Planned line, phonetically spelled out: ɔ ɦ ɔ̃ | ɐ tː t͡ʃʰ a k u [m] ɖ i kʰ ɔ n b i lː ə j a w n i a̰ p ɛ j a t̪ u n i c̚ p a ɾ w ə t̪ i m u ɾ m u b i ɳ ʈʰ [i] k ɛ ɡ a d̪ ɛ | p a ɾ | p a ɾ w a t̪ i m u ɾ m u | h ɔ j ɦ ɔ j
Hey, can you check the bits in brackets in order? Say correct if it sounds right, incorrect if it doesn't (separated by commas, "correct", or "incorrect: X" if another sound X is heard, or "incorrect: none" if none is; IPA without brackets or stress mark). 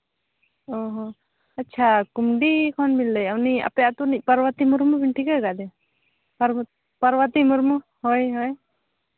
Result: correct, correct